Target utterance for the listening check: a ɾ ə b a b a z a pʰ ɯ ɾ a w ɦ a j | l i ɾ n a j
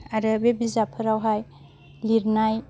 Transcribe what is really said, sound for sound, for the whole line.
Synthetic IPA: a ɾ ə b e b i z a pʰ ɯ ɾ a w ɦ a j | l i ɾ n a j